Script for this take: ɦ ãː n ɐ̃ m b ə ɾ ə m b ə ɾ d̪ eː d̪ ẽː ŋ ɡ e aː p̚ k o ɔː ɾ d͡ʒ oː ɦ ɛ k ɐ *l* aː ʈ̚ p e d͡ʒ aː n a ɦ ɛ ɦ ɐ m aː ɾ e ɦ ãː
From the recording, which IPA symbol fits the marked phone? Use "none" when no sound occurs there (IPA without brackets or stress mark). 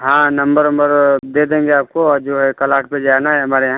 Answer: l